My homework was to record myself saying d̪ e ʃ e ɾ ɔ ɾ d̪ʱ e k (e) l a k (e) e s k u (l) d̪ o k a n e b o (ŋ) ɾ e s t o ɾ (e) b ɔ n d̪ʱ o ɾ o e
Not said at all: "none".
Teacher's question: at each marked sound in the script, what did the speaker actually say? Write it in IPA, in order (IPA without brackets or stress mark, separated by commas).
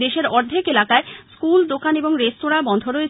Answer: e, a, l, ŋ, a